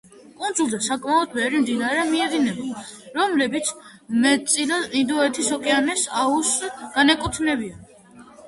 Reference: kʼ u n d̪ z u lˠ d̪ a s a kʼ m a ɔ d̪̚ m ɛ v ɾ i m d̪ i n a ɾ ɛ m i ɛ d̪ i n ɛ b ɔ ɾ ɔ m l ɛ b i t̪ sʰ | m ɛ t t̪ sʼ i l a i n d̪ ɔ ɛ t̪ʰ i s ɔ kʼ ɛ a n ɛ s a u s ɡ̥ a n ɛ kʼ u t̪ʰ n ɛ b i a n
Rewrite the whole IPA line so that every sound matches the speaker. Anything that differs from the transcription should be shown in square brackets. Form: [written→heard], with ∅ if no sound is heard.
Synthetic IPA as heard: kʼ u n d̪ z u lˠ d̪ a s a kʼ m a ɔ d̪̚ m ɛ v ɾ i m d̪ i n a ɾ ɛ m i ɛ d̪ i n ɛ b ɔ ɾ ɔ m l ɛ b i t̪ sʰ | m ɛ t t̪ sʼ i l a i n d̪ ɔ ɛ t̪ʰ i s ɔ kʼ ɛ a n ɛ s a u s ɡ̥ a n ɛ kʼ u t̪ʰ n ɛ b i a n